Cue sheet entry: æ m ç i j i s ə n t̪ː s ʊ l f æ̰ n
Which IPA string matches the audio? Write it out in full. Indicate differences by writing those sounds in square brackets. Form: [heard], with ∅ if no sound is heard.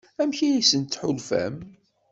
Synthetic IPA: æ m ç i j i s ə n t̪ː [ħ] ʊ l f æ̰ [m]